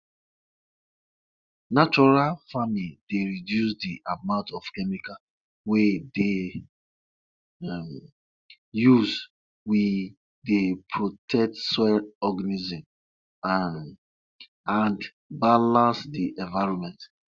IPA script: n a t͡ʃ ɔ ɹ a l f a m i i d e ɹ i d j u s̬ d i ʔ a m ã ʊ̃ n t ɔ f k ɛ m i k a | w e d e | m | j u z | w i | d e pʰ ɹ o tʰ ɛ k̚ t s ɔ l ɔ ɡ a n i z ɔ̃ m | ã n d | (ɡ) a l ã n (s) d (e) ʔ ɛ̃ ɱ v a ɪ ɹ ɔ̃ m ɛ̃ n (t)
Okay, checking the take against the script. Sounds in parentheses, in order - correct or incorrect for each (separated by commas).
incorrect, correct, incorrect, correct